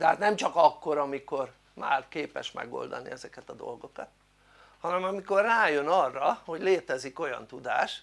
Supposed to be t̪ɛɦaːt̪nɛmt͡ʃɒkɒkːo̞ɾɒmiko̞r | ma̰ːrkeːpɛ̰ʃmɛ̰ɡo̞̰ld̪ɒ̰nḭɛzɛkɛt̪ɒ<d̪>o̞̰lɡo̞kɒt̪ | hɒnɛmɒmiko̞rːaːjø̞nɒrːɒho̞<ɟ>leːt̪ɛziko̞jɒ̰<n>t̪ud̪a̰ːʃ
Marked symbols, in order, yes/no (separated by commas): yes, yes, yes